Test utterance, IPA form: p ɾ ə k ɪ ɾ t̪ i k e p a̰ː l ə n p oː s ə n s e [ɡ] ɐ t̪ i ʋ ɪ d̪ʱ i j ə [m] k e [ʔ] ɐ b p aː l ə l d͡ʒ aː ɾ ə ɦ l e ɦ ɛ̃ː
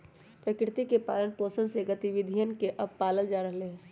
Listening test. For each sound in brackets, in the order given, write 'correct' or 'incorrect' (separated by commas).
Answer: correct, incorrect, correct